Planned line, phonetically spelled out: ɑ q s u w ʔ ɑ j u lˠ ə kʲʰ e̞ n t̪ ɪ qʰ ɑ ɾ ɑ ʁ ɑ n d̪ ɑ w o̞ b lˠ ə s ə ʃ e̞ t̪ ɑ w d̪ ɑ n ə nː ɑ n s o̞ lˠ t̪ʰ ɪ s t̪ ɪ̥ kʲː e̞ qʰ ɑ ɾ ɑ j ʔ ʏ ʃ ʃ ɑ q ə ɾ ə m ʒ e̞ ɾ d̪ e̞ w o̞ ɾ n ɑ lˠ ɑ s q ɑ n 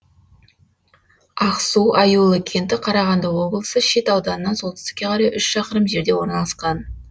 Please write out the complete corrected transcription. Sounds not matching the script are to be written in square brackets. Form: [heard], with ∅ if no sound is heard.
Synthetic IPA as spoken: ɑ q s u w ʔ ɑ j u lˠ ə kʲʰ e̞ n t̪ ɪ qʰ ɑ ɾ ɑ ʁ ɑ n d̪ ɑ w o̞ b lˠ ə s ə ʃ e̞ t̪ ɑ w d̪ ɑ n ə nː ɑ n s o̞ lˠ [t̪] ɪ s t̪ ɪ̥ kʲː e̞ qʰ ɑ ɾ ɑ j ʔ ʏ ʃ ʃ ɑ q ə ɾ ə m ʒ e̞ ɾ d̪ e̞ w o̞ ɾ n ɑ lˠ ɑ s q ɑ n